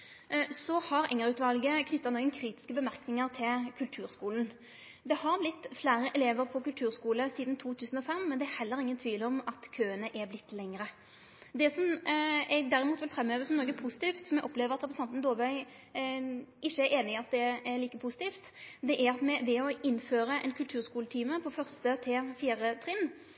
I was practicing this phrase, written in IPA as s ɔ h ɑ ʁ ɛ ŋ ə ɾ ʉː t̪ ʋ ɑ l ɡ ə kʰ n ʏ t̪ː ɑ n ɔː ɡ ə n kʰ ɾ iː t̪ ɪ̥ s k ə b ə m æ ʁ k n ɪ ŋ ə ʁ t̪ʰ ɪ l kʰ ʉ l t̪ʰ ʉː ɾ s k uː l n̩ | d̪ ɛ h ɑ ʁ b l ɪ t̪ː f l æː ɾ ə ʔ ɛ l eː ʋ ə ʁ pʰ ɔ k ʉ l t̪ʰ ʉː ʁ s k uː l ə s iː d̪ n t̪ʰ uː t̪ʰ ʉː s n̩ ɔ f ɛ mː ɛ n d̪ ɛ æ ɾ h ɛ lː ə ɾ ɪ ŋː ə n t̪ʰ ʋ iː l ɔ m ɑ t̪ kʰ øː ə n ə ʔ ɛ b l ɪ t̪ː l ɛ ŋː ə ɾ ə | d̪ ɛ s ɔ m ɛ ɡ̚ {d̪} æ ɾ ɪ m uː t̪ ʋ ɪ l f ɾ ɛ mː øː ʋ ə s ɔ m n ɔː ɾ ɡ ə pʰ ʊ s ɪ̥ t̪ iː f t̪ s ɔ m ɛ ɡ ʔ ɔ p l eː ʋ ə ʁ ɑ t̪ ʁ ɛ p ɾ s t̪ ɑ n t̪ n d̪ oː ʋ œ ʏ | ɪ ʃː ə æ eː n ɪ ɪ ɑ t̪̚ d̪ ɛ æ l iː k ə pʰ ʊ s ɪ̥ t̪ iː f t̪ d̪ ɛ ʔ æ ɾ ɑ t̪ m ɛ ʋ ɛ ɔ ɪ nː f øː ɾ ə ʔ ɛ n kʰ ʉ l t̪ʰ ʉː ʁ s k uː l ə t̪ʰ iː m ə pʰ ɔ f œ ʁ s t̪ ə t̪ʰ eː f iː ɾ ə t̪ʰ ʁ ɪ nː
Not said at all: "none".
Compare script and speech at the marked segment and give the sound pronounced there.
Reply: d̪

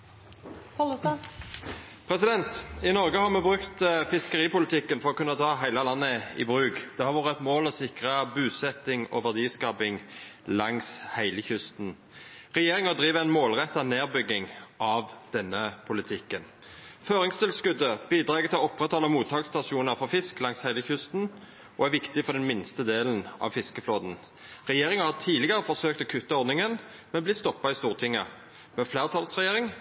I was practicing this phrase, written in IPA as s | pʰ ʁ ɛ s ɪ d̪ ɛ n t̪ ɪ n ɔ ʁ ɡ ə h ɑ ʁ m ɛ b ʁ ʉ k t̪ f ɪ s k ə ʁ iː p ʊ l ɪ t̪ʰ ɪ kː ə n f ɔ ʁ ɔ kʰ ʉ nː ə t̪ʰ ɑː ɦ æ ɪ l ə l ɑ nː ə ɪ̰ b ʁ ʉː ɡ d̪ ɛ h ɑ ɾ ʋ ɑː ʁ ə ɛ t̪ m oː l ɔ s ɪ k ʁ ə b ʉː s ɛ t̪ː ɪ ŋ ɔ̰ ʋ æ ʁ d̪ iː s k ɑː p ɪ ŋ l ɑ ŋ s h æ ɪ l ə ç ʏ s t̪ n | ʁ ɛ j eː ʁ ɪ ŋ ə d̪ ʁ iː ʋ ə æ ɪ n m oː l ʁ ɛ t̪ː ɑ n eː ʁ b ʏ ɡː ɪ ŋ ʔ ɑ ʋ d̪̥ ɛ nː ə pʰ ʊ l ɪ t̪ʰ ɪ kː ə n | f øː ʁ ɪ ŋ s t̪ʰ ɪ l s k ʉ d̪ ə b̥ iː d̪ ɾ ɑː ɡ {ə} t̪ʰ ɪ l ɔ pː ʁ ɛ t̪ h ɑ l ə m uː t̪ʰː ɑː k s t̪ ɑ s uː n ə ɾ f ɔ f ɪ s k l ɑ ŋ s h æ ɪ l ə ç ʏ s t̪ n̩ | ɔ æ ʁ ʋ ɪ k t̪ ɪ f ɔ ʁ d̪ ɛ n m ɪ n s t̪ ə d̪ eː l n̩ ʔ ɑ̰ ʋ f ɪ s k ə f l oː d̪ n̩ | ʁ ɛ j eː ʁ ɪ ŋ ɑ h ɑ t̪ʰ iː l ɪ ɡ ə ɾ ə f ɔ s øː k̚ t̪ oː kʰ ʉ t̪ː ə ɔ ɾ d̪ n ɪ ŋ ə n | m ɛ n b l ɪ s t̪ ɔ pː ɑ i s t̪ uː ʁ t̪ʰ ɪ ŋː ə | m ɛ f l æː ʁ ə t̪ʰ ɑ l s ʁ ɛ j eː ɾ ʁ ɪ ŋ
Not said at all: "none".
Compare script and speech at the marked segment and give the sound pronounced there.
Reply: ə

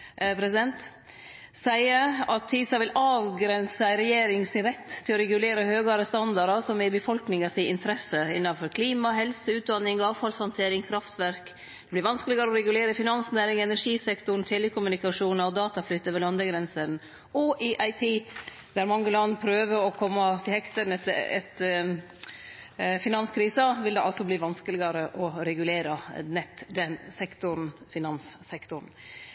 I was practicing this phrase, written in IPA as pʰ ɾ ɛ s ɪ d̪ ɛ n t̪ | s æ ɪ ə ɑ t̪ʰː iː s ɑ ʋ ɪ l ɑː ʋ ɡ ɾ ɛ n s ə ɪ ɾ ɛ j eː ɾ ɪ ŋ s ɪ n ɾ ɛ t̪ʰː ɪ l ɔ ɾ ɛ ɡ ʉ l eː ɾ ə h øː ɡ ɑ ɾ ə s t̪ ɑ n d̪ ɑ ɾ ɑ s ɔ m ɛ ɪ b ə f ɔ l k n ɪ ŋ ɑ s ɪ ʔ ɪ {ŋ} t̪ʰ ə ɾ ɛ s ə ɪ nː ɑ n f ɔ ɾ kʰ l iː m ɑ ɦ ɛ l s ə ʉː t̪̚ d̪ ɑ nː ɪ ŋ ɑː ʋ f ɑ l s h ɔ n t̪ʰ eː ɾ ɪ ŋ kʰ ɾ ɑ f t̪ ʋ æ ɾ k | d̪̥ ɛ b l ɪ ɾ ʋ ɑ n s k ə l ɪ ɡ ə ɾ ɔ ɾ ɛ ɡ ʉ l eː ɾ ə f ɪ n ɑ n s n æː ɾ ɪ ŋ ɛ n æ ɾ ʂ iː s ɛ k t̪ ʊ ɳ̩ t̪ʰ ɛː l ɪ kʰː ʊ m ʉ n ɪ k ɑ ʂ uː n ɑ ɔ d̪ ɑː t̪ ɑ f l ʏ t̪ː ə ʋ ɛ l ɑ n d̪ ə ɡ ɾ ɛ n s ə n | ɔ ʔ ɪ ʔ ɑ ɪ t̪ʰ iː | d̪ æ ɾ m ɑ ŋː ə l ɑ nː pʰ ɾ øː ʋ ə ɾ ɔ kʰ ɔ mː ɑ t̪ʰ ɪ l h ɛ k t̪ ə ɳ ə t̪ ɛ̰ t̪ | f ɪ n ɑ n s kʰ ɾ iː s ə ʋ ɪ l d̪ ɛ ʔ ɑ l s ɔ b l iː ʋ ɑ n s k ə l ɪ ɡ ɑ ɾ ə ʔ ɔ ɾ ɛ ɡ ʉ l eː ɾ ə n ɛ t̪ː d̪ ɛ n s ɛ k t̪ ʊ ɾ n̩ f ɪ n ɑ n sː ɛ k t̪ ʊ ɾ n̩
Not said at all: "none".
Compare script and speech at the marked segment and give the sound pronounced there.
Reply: n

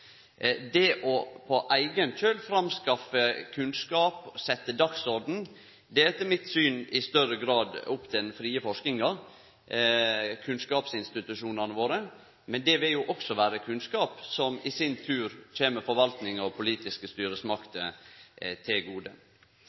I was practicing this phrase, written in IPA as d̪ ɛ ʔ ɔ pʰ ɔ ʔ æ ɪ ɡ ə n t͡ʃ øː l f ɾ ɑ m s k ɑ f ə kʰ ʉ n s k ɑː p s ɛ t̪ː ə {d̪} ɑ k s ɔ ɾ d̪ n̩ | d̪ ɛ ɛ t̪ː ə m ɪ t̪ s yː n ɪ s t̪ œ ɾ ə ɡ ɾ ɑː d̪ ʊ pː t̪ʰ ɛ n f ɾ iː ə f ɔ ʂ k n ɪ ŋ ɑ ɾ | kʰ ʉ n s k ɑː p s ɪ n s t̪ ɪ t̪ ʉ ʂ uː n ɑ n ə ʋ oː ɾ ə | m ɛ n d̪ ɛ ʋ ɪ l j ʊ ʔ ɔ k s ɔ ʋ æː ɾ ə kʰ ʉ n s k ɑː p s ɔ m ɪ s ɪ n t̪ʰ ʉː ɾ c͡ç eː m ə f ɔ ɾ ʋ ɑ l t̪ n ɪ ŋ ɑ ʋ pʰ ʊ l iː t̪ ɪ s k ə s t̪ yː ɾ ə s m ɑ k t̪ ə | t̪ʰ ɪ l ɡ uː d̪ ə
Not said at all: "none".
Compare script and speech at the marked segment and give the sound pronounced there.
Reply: d̪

